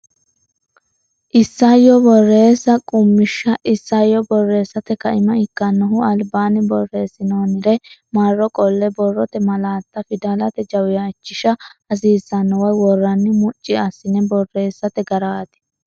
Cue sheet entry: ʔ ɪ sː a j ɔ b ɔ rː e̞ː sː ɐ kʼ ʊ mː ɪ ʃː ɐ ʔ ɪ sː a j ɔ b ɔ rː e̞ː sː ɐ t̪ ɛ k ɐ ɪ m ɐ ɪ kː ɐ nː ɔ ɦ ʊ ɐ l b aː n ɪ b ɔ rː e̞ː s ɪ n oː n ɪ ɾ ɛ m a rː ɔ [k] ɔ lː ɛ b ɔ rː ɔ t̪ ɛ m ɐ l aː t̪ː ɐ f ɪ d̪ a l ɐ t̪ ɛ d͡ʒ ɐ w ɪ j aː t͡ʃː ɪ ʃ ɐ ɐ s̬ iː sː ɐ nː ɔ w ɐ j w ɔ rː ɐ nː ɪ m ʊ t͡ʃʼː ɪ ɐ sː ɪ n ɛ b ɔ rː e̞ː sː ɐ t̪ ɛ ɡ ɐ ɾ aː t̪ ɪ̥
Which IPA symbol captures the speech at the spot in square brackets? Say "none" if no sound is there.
kʼ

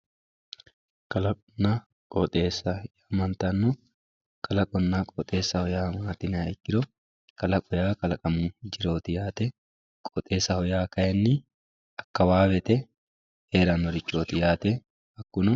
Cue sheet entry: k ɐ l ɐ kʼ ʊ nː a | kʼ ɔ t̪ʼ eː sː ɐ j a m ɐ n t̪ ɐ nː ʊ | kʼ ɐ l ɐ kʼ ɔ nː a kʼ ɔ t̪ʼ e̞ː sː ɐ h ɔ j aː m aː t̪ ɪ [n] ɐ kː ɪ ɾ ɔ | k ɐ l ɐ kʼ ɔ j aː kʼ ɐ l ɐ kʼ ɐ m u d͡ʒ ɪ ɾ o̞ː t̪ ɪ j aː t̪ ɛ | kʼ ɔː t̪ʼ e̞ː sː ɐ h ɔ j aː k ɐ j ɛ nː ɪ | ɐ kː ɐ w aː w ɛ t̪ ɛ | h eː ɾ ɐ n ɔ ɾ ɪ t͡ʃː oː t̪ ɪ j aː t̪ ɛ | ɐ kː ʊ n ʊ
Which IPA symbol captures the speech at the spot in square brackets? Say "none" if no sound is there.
n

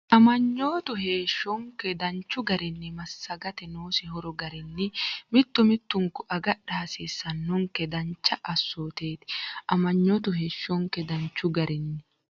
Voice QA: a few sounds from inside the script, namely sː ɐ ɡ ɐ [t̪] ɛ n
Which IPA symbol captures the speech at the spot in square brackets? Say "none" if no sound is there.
t̪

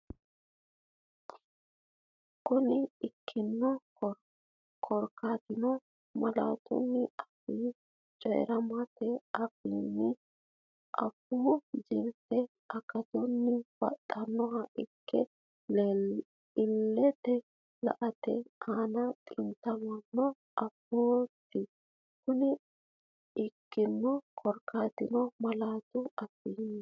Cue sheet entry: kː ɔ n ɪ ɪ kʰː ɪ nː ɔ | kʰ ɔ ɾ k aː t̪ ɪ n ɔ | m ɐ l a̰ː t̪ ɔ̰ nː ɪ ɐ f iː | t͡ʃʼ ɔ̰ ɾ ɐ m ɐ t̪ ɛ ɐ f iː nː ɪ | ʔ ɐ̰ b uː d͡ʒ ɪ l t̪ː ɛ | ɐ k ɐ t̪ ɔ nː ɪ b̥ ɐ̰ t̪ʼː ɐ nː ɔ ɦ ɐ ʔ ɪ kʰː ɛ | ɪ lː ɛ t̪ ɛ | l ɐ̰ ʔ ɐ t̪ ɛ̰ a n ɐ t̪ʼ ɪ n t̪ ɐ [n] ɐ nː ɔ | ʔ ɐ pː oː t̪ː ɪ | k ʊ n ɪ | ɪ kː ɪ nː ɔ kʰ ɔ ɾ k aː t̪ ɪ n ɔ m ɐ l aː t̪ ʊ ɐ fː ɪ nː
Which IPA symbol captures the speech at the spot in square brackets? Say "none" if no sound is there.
m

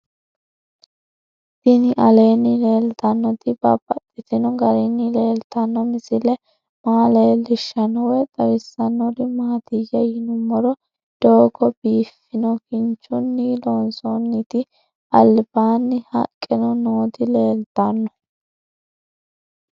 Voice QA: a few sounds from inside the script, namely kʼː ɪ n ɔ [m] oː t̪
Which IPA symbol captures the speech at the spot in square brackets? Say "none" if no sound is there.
n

